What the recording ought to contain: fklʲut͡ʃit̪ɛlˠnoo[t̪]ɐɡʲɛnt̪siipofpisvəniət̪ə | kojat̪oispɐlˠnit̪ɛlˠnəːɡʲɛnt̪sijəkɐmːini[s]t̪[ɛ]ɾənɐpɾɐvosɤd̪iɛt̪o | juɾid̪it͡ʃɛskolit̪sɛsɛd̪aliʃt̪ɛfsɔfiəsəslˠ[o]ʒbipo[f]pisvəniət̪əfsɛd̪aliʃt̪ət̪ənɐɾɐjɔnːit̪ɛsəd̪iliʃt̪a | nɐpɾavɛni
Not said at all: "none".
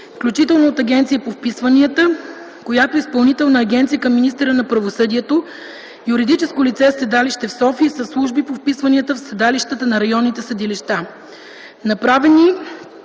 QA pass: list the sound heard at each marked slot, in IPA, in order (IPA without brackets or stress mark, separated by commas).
t̪, s, ɛ, u, f